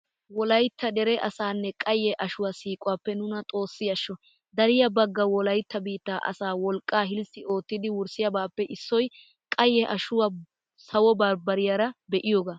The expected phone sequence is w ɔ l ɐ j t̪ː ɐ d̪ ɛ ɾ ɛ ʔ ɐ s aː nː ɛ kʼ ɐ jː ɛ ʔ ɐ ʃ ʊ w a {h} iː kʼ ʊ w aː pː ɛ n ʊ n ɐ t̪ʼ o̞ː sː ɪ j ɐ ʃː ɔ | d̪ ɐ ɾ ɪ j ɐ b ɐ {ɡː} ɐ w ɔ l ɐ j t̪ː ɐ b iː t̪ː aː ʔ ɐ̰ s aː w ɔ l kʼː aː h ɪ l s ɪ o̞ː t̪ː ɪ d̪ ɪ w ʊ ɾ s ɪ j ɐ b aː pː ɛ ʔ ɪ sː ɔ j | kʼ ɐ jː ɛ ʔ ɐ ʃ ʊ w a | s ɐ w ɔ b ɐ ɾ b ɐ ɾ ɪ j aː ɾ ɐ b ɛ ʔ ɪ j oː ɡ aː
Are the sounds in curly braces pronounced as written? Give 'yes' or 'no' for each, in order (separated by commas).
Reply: no, yes